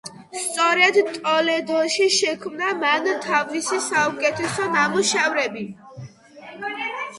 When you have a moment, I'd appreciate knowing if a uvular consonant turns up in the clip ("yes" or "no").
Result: no